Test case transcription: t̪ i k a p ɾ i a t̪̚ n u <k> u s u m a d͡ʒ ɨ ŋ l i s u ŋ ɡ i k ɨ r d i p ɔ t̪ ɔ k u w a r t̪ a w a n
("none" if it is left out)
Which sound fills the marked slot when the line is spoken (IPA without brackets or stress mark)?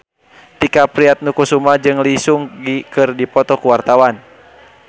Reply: k